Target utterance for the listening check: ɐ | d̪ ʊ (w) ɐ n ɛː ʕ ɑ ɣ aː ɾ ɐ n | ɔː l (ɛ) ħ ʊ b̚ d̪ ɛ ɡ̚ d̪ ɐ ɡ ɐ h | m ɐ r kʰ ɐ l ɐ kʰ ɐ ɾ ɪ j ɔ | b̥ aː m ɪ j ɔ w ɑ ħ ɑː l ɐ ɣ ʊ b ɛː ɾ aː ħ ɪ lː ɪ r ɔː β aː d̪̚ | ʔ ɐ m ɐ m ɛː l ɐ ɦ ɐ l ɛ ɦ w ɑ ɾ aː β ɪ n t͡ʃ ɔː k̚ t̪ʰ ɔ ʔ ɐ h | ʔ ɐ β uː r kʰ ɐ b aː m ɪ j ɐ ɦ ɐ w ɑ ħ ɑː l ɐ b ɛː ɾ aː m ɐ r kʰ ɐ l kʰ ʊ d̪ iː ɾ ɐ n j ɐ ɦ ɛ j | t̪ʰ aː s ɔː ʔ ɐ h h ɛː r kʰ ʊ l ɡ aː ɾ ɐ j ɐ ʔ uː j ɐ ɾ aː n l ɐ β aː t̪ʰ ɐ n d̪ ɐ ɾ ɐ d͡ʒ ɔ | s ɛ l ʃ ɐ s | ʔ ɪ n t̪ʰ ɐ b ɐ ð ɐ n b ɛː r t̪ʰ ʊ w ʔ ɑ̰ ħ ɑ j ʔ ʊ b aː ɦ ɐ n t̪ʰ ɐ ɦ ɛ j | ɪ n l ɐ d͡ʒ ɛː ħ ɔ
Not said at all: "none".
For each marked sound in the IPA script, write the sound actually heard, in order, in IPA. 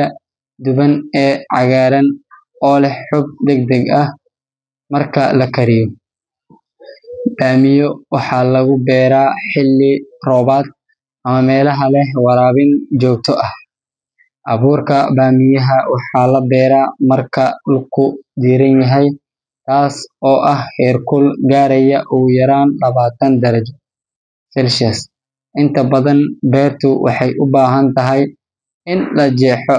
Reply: β, ɛ

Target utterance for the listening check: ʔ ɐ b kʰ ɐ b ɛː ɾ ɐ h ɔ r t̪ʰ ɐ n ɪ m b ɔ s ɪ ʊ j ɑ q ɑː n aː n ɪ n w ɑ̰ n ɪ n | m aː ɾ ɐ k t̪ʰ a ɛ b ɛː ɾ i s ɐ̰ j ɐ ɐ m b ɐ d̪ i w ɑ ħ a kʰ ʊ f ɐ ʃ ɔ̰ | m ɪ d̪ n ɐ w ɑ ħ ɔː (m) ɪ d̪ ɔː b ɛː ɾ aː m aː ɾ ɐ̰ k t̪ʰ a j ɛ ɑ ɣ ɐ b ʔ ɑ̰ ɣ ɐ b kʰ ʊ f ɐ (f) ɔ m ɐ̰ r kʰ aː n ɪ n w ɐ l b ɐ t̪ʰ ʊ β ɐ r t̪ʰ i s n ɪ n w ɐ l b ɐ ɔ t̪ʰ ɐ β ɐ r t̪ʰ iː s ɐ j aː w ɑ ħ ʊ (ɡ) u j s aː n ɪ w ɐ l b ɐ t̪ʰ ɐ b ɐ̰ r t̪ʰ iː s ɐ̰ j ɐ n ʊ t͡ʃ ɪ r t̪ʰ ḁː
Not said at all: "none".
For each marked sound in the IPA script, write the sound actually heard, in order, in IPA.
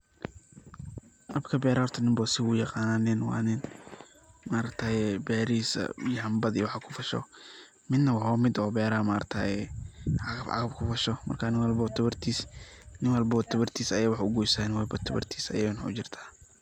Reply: m, ʃ, ɡ

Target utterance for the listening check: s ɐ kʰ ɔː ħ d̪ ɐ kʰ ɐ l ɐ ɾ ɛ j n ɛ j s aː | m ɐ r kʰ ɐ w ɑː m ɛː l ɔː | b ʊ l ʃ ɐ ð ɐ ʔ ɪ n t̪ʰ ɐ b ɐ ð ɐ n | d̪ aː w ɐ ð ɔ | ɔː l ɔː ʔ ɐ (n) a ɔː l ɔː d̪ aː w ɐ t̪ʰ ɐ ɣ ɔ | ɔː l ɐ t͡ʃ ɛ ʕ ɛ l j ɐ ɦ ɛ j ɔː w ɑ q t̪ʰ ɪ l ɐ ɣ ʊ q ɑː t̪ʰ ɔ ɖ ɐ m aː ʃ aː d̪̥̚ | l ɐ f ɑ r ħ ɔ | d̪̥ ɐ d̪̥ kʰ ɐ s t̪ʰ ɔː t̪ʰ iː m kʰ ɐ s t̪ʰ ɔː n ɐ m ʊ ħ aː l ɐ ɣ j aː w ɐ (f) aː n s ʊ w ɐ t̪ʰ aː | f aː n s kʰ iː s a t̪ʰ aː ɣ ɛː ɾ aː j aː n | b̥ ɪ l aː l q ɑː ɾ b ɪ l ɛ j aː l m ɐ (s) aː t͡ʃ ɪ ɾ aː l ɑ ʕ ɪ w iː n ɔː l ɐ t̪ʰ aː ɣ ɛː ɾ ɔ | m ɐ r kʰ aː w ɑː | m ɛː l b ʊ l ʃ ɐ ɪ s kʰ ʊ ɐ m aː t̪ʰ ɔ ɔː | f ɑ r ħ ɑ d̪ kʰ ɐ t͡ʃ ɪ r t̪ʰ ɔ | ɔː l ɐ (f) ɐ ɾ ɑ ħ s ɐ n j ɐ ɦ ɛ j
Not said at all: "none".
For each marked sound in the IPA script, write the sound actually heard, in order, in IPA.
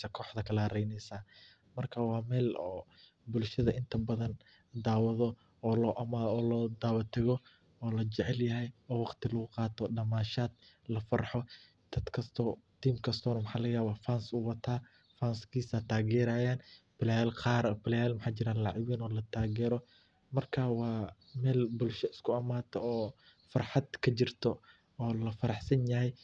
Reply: m, f, ħ, f

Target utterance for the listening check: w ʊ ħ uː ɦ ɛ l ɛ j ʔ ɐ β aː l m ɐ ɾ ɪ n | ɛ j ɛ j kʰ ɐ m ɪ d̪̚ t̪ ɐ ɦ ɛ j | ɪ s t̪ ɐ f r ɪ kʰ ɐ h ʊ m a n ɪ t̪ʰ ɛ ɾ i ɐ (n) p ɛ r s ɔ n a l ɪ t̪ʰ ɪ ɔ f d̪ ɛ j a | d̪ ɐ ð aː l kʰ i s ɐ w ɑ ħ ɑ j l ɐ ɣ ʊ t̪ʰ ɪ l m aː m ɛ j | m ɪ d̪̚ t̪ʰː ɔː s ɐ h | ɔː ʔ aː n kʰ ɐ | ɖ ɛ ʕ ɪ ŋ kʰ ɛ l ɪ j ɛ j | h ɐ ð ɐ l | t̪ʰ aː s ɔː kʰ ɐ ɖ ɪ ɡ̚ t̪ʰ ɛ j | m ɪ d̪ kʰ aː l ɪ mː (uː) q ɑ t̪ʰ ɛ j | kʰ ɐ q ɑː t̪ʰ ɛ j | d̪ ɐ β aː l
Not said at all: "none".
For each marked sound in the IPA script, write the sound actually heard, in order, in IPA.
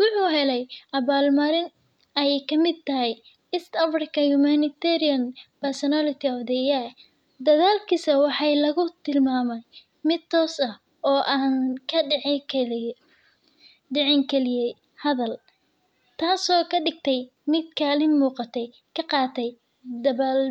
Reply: n, uː

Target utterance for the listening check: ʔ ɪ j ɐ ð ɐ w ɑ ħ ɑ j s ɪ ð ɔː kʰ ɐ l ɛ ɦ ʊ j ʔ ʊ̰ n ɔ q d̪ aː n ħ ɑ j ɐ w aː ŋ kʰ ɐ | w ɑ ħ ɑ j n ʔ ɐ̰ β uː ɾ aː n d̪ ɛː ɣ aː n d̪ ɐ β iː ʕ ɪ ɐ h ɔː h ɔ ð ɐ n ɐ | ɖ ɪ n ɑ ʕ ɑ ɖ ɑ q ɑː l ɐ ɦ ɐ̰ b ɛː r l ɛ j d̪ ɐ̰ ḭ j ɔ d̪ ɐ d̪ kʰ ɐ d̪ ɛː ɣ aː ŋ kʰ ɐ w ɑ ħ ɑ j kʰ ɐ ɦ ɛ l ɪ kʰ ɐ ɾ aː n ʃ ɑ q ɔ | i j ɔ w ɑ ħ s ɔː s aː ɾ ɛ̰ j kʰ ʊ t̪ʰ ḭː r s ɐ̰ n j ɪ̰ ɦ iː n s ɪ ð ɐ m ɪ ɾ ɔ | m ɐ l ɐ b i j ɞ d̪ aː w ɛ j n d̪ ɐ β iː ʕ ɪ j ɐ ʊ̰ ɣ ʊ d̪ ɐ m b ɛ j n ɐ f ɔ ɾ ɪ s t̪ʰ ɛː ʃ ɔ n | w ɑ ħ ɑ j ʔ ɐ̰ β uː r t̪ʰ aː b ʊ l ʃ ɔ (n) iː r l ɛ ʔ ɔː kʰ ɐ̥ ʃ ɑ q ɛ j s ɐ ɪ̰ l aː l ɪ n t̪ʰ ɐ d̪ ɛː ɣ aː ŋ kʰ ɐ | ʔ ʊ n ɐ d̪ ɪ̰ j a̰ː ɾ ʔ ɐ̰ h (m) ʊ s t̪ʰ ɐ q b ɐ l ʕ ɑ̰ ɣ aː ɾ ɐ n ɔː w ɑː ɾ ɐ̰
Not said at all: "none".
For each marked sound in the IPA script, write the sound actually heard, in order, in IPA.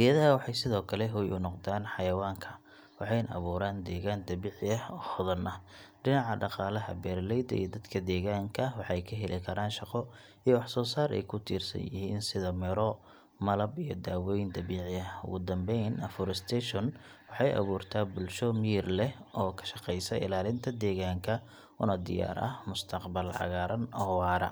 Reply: m, m

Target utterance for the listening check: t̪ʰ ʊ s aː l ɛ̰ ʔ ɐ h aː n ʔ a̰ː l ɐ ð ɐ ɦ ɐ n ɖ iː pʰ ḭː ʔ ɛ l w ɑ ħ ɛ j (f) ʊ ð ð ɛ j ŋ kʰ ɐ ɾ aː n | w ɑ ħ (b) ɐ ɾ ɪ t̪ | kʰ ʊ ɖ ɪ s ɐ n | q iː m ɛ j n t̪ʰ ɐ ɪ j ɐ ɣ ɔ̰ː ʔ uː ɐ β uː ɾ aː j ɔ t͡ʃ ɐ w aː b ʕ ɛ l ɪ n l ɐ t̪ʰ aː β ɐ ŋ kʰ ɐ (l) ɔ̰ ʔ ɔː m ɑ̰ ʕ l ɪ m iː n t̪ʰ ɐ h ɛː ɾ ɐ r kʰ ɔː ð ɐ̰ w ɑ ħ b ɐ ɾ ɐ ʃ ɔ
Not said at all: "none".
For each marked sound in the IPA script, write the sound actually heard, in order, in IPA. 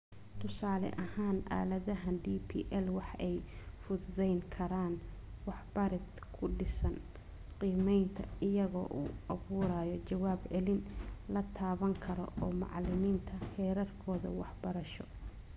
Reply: f, b, ɾ

